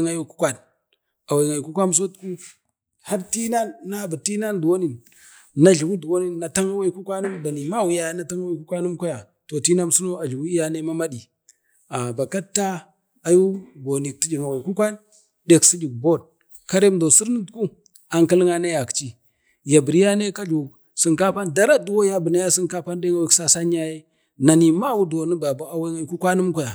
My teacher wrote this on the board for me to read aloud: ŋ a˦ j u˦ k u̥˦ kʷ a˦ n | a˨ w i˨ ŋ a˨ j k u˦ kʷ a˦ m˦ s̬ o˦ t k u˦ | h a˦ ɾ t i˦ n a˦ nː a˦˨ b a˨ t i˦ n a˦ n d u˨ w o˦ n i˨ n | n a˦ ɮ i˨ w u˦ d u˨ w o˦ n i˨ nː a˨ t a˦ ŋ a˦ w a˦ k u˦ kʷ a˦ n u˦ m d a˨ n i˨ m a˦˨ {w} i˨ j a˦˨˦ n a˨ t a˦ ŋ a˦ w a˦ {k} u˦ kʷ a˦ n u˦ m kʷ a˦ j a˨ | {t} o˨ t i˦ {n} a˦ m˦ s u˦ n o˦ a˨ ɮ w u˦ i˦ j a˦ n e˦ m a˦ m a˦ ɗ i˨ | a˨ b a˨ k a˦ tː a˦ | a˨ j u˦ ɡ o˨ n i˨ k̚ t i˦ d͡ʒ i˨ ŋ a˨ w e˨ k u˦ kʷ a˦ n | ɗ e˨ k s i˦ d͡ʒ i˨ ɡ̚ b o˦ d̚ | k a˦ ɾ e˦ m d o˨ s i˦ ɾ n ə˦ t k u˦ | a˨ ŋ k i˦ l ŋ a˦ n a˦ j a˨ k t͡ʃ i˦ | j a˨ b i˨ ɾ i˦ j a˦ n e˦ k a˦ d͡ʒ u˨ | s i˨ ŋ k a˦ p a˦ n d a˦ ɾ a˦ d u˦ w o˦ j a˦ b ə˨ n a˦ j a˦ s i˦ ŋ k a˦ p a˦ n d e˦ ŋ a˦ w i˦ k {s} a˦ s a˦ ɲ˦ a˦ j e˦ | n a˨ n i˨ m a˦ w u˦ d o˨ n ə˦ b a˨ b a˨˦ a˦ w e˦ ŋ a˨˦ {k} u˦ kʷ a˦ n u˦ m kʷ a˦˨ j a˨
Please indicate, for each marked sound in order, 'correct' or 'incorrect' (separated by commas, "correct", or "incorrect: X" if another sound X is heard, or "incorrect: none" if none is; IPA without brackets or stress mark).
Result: correct, correct, correct, correct, correct, correct